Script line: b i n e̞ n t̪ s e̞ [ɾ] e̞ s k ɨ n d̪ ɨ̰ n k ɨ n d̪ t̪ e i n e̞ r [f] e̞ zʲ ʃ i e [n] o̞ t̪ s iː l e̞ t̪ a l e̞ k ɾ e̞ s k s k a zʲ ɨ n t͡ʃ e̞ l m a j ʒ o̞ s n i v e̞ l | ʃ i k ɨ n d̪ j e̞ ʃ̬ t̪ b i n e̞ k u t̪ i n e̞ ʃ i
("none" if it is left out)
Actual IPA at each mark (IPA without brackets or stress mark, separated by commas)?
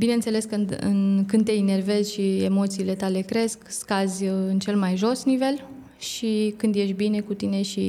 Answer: l, v, m